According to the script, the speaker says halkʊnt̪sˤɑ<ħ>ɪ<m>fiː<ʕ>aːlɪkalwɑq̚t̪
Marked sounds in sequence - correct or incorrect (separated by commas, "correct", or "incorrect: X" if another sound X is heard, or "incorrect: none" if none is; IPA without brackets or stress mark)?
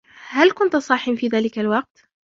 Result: correct, correct, incorrect: ð